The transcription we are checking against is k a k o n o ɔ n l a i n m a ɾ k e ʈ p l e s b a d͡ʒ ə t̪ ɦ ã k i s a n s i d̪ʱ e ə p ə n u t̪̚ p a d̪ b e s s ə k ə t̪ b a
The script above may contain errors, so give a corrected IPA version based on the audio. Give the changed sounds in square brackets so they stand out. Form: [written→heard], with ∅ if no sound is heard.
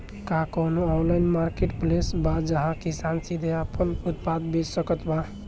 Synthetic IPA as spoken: k a k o n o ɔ n l a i n m a ɾ k e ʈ p l e s b a d͡ʒ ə [t̪→∅] ɦ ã k i s a n s i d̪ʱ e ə p ə n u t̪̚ p a d̪ b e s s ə k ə t̪ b a